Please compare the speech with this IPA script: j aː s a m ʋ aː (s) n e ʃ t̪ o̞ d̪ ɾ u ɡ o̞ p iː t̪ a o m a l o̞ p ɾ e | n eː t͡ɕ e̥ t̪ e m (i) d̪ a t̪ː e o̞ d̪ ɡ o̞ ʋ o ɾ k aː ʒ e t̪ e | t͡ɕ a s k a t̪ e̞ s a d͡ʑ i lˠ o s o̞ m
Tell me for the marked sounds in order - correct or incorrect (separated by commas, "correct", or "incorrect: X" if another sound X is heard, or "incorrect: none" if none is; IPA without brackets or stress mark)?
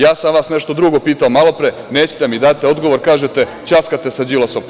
correct, correct